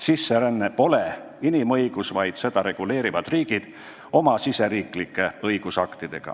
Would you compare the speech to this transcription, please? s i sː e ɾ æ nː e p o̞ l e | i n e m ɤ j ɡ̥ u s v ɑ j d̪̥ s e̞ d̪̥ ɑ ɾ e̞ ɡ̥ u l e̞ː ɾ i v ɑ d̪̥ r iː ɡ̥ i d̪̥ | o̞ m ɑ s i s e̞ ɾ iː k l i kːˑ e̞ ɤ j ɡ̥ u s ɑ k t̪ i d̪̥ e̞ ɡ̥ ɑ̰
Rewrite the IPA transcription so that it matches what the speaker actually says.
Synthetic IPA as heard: s i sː e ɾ æ nː e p o̞ l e | i n i m ɤ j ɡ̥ u s v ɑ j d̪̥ s e̞ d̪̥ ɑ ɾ e̞ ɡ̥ u l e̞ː ɾ i v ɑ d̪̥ r iː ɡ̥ i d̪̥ | o̞ m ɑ s i s e̞ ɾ iː k l i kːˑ e̞ ɤ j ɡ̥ u s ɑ k t̪ i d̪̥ e̞ ɡ̥ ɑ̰